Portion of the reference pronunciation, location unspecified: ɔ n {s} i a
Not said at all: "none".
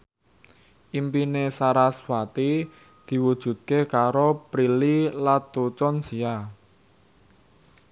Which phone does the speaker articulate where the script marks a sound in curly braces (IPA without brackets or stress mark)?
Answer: s